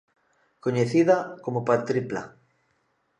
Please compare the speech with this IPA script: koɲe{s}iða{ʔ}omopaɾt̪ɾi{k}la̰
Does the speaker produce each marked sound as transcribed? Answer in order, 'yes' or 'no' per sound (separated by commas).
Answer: no, no, no